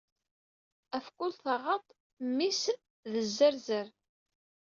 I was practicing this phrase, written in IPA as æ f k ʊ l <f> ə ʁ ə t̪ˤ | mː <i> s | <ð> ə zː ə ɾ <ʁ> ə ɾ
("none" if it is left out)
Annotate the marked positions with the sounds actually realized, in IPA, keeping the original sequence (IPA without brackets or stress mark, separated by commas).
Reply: θ, i, ð, z